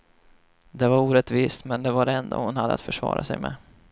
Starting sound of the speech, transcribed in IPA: d̪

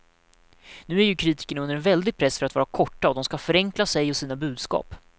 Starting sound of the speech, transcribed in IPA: n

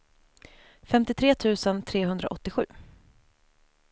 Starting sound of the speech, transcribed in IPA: f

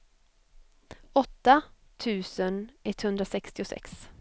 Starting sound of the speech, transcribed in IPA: ɔ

